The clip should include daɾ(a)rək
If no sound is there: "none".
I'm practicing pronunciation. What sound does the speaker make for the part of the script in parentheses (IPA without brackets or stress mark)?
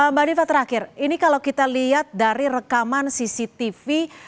i